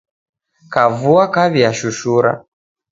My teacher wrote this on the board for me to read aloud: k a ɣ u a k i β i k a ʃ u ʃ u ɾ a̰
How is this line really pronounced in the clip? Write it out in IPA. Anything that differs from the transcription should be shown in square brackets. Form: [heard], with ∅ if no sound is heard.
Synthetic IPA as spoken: k a [v] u a k [a] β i [∅] a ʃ u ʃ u ɾ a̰